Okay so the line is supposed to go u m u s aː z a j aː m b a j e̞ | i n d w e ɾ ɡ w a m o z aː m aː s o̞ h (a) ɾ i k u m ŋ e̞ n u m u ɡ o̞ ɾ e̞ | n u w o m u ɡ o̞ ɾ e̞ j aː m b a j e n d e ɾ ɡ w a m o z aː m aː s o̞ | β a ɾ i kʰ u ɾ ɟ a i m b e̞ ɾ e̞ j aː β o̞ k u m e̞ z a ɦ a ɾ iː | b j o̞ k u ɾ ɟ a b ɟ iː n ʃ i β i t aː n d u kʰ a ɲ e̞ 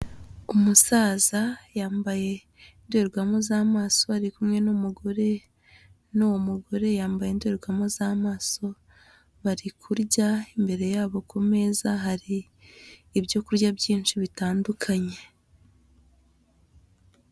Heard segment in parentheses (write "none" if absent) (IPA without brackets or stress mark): a